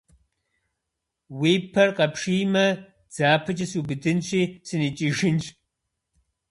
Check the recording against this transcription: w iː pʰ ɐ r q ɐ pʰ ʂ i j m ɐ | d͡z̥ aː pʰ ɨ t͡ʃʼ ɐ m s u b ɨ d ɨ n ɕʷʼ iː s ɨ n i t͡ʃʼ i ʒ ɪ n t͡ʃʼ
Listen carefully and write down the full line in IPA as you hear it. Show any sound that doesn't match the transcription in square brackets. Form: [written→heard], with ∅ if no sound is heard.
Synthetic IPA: w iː pʰ ɐ r q ɐ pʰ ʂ i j m ɐ | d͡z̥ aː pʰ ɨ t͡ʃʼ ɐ [m→∅] s u b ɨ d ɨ n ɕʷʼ iː s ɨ n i t͡ʃʼ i ʒ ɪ n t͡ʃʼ